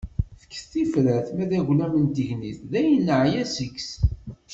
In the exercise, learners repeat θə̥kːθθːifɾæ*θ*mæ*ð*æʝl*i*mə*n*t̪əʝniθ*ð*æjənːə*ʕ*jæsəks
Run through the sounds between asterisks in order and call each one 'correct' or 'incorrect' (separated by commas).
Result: correct, correct, incorrect, correct, correct, correct